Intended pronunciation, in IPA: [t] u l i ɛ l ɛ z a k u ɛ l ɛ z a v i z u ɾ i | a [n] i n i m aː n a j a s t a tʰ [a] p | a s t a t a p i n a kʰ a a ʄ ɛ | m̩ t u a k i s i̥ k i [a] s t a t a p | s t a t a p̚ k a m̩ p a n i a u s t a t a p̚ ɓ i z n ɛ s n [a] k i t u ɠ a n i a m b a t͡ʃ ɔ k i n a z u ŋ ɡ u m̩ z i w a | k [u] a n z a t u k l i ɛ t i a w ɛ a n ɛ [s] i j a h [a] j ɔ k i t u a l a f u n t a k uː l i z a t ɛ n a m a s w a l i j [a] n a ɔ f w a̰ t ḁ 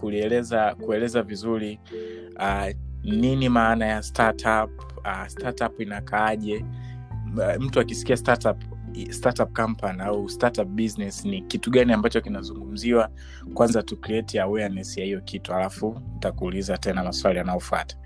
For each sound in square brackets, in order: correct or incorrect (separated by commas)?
incorrect, correct, correct, correct, incorrect, incorrect, correct, incorrect, correct